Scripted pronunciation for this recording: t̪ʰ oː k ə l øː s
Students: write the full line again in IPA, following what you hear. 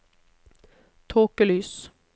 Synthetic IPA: t̪ʰ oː k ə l yː s